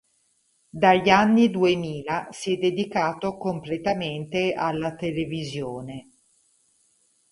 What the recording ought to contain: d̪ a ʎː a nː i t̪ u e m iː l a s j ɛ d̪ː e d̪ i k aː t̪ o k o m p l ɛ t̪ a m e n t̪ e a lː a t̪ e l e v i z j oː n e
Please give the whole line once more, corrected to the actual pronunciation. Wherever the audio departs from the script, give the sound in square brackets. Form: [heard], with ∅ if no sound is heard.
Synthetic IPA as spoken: d̪ a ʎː a nː i [d̪] u e m iː l a s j ɛ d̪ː e d̪ i k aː t̪ o k o m p l [e] t̪ a m e n t̪ e a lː a t̪ e l e v i z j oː n e